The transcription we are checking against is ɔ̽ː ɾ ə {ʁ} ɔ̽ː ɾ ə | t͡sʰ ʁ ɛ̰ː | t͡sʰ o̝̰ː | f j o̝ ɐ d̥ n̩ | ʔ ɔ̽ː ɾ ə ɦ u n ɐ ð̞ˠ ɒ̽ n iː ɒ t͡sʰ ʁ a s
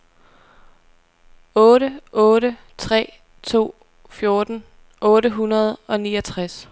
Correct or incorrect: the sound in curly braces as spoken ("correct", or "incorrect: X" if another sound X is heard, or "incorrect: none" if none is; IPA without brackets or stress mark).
incorrect: none